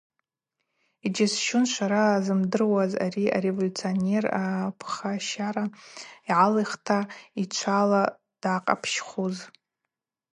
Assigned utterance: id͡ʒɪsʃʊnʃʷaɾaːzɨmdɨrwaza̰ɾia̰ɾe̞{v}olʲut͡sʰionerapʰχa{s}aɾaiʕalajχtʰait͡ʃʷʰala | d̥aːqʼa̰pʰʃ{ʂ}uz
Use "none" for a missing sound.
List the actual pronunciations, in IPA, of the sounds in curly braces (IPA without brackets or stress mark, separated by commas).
v, ʃ, χ